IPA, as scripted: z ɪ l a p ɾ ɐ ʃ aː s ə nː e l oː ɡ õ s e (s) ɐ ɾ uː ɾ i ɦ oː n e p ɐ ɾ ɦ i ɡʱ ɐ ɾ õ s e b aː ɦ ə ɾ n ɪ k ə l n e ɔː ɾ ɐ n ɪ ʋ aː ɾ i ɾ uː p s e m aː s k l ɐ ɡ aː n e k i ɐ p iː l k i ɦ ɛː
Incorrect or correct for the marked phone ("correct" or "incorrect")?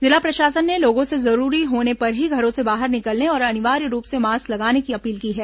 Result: incorrect